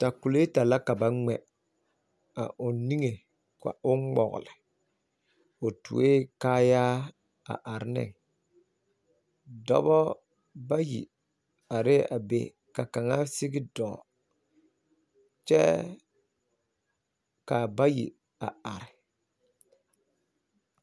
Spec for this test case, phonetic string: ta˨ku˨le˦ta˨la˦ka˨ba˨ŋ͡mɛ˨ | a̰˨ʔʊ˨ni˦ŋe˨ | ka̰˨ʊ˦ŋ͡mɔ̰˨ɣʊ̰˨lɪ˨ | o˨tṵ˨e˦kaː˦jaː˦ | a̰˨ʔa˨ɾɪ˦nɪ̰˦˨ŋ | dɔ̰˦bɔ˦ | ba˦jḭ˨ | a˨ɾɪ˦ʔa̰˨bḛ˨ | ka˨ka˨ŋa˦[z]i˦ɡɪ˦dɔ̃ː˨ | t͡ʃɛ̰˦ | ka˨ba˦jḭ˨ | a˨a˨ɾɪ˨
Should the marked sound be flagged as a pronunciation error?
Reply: yes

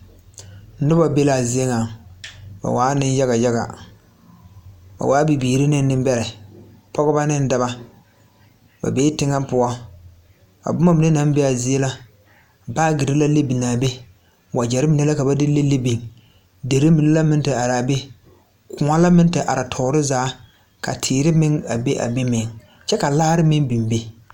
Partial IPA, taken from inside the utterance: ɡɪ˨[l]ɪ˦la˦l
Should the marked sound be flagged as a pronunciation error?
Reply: yes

